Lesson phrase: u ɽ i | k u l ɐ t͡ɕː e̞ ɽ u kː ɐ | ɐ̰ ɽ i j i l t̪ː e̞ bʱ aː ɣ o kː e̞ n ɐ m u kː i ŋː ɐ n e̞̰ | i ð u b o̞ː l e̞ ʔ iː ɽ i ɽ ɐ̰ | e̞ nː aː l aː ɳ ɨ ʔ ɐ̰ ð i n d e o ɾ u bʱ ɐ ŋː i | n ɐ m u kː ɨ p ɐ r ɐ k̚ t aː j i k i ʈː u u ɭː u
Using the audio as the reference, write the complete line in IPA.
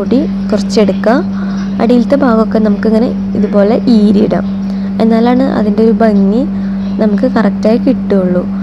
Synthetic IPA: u ɽ i | k u r ɐ t͡ɕː e̞ ɽ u kː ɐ | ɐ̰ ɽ i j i l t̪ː e̞ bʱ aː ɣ o kː e̞ n ɐ m u kː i ŋː ɐ n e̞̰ | i ð u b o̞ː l e̞ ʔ iː ɾ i ɽ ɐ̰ | e̞ nː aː l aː ɳ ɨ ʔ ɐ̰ ð i n d e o ɾ u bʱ ɐ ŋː i | n ɐ m u kː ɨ k ɐ r ɐ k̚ t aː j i k i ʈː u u ɭː u